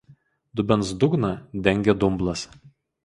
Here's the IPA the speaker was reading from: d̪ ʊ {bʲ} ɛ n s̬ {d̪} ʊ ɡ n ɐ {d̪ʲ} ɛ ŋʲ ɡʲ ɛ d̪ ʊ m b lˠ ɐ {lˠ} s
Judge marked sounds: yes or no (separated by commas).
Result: yes, yes, yes, no